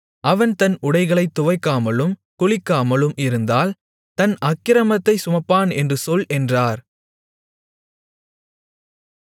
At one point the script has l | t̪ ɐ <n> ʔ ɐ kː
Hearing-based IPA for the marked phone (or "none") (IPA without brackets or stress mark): n